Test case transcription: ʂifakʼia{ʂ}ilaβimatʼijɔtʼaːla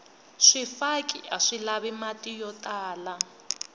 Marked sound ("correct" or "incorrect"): correct